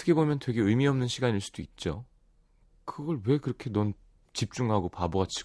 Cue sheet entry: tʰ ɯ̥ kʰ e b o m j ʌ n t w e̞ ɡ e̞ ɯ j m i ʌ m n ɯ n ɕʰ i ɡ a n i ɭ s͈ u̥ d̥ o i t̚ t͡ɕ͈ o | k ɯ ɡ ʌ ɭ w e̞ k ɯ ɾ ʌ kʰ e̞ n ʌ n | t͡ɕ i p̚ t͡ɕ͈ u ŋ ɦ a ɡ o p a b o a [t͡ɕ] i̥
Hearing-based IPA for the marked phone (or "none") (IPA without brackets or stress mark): t͡ɕʰ